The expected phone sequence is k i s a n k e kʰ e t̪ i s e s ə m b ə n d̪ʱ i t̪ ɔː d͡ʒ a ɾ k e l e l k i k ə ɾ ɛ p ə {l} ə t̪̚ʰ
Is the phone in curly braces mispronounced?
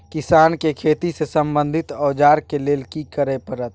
yes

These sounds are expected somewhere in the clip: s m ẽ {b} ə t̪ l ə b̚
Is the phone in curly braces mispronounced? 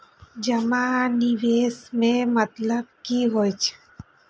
yes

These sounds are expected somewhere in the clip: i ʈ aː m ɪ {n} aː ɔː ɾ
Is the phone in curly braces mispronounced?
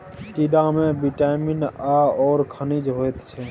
no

